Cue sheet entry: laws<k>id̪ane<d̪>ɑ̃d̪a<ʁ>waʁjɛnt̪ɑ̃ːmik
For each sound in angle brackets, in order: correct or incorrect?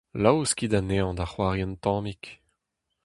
correct, incorrect: none, incorrect: χ

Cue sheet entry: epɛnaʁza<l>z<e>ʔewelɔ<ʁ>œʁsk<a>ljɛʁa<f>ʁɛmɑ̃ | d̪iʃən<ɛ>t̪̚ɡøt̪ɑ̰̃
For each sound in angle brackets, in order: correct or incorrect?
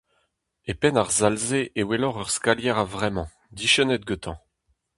correct, correct, correct, correct, incorrect: v, correct

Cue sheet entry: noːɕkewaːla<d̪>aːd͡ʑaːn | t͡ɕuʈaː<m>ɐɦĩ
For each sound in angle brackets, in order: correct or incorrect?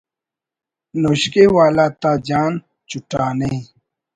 incorrect: t̪, incorrect: n

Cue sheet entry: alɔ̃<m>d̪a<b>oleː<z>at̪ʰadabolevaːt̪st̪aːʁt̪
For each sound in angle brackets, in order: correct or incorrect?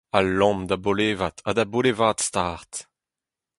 correct, correct, incorrect: v

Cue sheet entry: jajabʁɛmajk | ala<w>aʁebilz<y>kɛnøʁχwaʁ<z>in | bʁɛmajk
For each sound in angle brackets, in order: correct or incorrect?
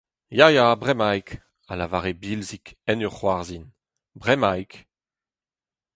incorrect: v, incorrect: i, correct

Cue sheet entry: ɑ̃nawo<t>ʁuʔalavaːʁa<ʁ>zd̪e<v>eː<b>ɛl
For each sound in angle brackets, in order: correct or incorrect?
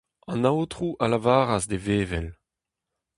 correct, incorrect: none, correct, incorrect: v

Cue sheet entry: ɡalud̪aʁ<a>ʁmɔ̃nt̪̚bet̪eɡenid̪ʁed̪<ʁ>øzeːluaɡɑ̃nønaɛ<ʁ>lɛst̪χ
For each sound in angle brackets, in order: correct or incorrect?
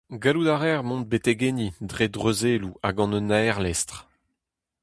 incorrect: ɛ, correct, correct

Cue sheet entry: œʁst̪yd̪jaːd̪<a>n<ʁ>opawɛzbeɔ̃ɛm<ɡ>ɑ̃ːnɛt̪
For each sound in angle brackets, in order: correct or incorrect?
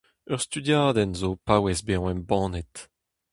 incorrect: ɛ, incorrect: z, incorrect: b

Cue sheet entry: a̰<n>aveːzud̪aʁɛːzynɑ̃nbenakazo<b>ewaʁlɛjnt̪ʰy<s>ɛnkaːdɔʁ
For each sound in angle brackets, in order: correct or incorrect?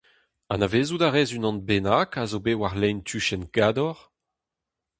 correct, correct, incorrect: ʃ

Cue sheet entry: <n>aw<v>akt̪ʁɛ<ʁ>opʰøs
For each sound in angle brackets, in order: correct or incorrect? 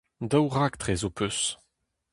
incorrect: d, incorrect: ʁ, incorrect: z

